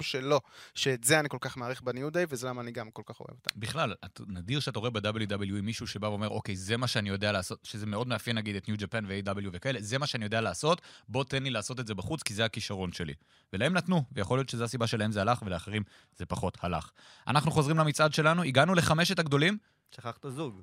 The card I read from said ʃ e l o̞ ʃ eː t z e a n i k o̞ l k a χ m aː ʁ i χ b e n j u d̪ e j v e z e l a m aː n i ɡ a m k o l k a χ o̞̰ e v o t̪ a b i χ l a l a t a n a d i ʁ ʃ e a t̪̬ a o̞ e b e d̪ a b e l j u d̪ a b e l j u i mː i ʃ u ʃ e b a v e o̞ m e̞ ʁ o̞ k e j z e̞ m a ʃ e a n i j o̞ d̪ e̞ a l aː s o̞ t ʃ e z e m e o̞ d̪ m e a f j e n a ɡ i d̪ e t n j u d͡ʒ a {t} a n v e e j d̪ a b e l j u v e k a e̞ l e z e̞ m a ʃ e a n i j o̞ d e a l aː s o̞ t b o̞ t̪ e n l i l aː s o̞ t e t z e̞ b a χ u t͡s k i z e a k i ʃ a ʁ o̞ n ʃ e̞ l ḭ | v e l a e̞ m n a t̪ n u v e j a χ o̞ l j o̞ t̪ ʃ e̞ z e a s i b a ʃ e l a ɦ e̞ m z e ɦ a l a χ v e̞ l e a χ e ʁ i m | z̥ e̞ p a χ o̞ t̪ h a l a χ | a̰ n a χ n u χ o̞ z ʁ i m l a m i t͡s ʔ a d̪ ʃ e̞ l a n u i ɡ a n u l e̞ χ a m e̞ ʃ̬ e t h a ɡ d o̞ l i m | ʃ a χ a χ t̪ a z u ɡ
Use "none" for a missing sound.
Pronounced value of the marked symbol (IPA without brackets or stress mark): p